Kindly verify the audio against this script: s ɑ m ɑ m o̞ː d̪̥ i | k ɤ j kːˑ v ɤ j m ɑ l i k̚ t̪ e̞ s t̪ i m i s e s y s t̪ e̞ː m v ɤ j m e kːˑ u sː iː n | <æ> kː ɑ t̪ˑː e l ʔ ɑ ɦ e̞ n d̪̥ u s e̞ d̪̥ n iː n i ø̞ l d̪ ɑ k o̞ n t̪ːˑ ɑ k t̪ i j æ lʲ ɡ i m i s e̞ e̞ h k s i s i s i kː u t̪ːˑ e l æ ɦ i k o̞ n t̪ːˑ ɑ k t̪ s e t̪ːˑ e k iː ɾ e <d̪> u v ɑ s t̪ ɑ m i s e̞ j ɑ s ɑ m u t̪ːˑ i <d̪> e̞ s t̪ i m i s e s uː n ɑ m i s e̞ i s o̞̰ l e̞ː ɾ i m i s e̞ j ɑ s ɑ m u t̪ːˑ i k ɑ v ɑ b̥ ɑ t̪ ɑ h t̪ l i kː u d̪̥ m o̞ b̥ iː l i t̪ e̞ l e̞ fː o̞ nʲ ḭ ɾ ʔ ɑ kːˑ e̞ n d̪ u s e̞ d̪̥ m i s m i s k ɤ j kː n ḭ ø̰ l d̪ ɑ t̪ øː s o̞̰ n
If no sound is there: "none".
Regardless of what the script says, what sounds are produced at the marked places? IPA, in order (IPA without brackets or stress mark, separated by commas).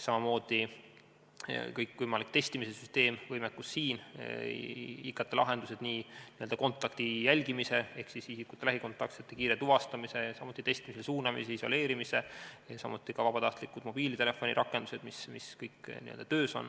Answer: i, t̪, t̪